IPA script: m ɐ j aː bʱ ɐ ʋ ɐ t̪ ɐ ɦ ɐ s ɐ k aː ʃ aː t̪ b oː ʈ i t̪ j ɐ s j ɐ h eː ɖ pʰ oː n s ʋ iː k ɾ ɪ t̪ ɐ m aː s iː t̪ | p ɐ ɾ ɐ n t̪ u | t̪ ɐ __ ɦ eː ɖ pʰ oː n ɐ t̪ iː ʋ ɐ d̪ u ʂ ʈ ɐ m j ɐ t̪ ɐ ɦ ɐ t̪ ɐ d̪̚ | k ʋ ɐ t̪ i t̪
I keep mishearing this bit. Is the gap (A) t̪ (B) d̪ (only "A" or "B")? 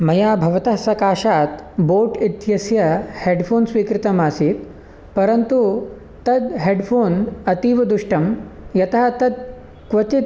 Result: B